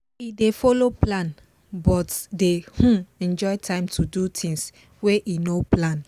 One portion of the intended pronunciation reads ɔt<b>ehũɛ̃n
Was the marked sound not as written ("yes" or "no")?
yes